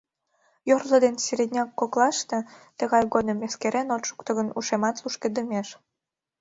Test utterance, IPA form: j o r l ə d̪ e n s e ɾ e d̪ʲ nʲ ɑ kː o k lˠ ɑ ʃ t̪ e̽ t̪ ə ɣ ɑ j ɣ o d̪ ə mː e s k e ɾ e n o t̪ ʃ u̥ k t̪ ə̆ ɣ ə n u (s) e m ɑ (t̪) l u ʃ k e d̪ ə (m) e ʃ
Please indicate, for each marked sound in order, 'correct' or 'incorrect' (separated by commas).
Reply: incorrect, correct, correct